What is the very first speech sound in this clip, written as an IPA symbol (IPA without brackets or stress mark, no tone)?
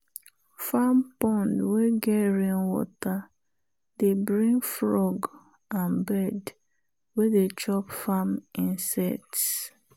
f